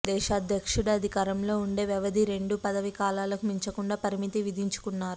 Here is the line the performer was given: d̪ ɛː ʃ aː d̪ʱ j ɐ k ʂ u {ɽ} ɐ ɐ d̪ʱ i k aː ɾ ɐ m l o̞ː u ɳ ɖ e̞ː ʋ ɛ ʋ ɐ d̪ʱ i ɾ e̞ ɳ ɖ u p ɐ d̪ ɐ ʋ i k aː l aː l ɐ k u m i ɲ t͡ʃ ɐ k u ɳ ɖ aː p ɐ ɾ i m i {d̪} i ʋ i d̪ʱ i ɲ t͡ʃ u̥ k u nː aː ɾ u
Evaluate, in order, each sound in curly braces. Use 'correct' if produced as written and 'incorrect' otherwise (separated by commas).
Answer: correct, incorrect